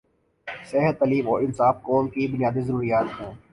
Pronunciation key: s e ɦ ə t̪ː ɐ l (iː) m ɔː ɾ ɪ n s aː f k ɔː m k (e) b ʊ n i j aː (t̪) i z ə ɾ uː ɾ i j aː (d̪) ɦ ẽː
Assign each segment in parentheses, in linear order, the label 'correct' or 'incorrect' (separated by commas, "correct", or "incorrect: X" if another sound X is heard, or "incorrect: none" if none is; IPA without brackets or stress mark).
correct, incorrect: i, incorrect: d̪, incorrect: t̪